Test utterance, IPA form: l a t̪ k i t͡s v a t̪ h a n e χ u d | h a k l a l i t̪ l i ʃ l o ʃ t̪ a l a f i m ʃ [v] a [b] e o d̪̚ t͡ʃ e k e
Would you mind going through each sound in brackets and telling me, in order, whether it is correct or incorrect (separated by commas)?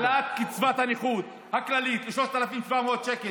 correct, incorrect